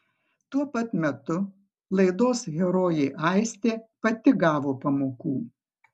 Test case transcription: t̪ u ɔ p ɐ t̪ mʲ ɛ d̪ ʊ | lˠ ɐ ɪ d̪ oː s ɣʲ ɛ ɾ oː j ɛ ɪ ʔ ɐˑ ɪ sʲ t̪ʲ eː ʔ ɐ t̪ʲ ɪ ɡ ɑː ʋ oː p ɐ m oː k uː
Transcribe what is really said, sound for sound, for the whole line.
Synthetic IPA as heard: t̪ u ɔ p ɐ t̪ mʲ ɛ t̪ ʊ | lˠ ɐ ɪ d̪ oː s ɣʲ ɛ ɾ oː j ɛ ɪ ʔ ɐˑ ɪ sʲ t̪ʲ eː p ɐ t̪ʲ ɪ ɡ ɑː ʋ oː p ɐ m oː k uː